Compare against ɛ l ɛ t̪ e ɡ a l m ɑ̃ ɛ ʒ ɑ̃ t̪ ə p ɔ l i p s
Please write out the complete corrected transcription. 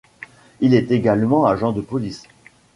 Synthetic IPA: i l ɛ t̪ e ɡ a l m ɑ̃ a ʒ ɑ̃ d̪ ə p ɔ l i s